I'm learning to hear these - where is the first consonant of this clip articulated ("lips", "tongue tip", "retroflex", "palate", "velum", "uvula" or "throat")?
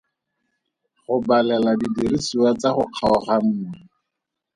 uvula